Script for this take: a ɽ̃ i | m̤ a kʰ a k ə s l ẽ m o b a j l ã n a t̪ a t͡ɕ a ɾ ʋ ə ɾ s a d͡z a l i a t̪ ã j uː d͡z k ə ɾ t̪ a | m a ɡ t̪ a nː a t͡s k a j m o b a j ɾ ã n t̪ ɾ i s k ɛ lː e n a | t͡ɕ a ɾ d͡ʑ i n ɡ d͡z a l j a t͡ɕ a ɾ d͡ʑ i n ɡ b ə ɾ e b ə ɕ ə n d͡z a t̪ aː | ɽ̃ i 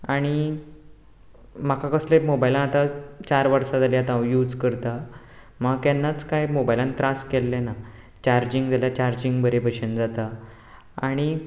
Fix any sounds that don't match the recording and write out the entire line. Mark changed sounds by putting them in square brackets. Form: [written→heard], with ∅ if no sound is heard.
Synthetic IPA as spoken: a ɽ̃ i | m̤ a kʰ a k ə s l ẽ m o b a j l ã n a t̪ a t͡ɕ a ɾ ʋ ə ɾ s a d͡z a l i a t̪ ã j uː d͡z k ə ɾ t̪ a | m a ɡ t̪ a nː a t͡s k a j m o b a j [ɾ→l] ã n t̪ ɾ [i→a] s k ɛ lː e n a | t͡ɕ a ɾ d͡ʑ i [n→ŋ] ɡ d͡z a l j a t͡ɕ a ɾ d͡ʑ i [n→ŋ] ɡ b ə ɾ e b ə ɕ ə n d͡z a t̪ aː | ɽ̃ i